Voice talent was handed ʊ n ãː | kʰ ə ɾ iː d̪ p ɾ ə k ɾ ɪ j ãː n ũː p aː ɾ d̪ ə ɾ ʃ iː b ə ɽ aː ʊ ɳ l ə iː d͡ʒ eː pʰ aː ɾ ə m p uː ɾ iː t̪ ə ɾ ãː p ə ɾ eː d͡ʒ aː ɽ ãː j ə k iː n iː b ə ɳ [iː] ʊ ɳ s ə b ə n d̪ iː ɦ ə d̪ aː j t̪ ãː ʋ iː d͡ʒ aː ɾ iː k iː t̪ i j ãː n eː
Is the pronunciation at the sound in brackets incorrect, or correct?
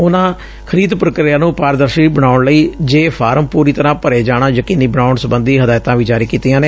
incorrect: aː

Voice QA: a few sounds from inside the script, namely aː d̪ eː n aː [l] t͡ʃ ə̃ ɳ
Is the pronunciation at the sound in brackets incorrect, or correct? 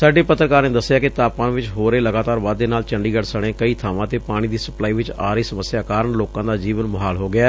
correct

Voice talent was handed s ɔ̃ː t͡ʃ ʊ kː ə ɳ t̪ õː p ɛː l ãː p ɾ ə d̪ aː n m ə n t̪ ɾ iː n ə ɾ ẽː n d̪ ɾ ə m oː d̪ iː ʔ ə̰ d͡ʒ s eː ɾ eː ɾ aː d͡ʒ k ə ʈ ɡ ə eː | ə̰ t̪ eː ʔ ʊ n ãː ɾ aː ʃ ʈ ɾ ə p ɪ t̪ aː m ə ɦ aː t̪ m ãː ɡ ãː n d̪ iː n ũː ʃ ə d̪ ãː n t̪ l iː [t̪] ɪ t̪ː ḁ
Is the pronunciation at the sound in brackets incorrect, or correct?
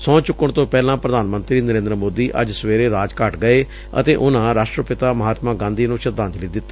incorrect: d̪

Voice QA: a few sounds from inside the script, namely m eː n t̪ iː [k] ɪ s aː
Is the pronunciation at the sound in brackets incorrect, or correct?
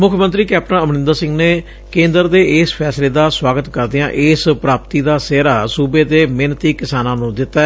correct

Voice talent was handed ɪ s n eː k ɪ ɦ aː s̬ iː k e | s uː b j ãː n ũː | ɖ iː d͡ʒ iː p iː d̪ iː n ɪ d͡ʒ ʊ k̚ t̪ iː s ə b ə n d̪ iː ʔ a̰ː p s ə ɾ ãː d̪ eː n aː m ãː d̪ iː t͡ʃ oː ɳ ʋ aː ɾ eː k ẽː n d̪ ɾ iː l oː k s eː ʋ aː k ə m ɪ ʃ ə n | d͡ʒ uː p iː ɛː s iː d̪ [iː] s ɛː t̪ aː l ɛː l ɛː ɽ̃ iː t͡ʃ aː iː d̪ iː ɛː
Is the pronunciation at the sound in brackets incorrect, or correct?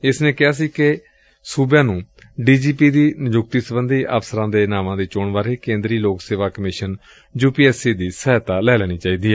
correct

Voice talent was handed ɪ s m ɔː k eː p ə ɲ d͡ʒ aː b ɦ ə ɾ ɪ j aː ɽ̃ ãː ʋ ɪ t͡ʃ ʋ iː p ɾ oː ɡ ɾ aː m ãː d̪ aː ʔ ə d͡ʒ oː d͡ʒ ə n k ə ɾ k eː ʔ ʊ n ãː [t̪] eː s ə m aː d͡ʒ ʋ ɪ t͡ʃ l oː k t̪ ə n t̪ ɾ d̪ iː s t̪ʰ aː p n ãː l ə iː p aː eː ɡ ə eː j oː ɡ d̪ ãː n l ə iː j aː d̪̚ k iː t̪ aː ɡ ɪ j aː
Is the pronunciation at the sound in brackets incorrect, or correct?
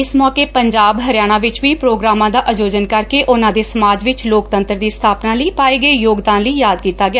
incorrect: d̪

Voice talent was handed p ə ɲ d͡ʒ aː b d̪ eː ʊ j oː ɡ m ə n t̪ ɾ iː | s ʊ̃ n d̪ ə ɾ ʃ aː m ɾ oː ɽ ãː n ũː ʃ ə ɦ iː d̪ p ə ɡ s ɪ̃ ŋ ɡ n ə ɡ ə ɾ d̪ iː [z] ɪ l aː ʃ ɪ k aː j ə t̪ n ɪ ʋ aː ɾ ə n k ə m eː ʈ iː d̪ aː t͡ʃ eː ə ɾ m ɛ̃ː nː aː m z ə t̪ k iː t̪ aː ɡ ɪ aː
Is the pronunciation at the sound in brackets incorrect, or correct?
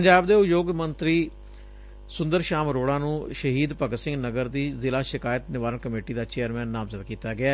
correct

